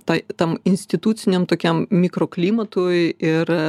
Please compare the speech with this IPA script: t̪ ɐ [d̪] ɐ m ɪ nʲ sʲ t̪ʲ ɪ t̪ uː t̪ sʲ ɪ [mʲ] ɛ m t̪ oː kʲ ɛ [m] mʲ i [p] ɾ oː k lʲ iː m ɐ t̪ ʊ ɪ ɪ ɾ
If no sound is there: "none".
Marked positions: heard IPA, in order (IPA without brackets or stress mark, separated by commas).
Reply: t̪, nʲ, m, k